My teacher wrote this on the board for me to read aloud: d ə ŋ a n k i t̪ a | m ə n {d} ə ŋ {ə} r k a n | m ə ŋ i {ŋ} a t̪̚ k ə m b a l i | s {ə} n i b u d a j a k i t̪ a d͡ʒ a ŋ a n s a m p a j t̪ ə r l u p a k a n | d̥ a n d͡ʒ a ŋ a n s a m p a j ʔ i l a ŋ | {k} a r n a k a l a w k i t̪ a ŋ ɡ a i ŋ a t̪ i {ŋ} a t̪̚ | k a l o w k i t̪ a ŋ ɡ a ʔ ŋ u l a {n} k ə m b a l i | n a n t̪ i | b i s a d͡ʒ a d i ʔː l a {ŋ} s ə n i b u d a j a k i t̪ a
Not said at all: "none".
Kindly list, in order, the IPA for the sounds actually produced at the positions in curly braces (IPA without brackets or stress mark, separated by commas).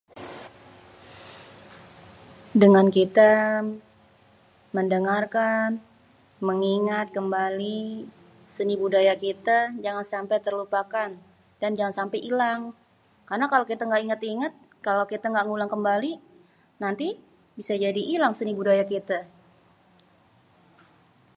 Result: d, a, ŋ, ə, k, ŋ, ŋ, ŋ